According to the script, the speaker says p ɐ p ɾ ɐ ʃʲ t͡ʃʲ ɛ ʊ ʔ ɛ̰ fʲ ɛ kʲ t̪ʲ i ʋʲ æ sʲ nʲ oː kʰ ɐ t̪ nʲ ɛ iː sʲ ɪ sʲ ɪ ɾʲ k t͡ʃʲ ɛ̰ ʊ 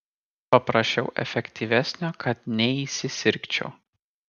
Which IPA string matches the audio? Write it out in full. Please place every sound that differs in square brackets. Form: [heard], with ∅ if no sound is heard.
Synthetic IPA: p ɐ p ɾ ɐ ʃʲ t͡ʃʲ ɛ ʊ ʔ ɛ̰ fʲ ɛ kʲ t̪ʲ i ʋʲ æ sʲ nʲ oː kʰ ɐ t̪ nʲ ɛ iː sʲ ɪ sʲ ɪ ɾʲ k t͡ʃʲ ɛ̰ ʊ